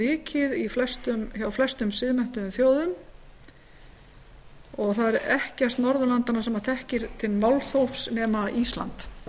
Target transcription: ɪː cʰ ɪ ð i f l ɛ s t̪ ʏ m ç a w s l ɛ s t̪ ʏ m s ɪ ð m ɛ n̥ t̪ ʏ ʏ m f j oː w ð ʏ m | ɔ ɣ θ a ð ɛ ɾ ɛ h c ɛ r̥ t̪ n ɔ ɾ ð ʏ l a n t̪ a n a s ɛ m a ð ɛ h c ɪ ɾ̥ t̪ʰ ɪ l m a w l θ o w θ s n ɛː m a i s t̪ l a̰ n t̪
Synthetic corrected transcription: ɪː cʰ ɪ ð i f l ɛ s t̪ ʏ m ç a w f l ɛ s t̪ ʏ m s ɪ ð m ɛ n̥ t̪ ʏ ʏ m θ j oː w ð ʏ m | ɔ ɣ θ a ð ɛ ɾ ɛ h c ɛ r̥ t̪ n ɔ ɾ ð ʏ l a n t̪ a n a s ɛ m a θ ɛ h c ɪ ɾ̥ t̪ʰ ɪ l m a w l θ o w f s n ɛː m a i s t̪ l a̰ n t̪